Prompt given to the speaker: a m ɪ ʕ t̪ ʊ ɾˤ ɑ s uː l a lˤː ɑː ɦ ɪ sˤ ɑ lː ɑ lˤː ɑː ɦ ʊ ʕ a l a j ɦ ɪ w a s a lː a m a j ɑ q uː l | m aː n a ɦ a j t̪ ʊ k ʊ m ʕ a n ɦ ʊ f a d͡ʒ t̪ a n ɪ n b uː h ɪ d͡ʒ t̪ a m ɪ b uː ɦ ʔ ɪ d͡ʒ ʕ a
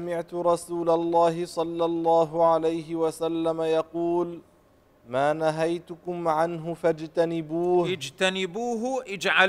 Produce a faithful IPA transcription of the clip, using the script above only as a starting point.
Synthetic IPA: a m ɪ ʕ t̪ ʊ ɾˤ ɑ s uː l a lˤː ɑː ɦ ɪ sˤ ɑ lː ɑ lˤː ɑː ɦ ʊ ʕ a l a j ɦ ɪ w a s a lː a m a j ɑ q uː l | m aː n a ɦ a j t̪ ʊ k ʊ m ʕ a n ɦ ʊ f a d͡ʒ t̪ a n ɪ b uː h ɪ d͡ʒ t̪ a n ɪ b uː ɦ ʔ ɪ d͡ʒ ʕ a